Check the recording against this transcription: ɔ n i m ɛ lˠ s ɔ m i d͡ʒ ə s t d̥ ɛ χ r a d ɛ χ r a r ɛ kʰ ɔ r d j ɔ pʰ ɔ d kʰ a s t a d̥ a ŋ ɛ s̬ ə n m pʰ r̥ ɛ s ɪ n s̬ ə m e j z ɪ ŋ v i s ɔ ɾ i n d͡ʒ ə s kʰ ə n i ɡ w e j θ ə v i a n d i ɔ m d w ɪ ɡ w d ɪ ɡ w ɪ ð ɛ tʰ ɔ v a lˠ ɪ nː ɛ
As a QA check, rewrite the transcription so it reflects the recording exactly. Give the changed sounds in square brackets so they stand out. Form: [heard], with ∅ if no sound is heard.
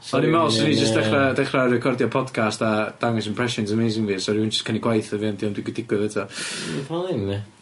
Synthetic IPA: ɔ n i m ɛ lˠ s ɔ [n] i d͡ʒ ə s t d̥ ɛ χ r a d ɛ χ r a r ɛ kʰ ɔ r d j ɔ pʰ ɔ d kʰ a s t a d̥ a ŋ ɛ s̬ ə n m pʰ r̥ ɛ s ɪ n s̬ ə m e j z ɪ ŋ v i s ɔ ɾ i n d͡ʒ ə s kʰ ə n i ɡ w [a] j θ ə v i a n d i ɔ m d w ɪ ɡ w d ɪ ɡ w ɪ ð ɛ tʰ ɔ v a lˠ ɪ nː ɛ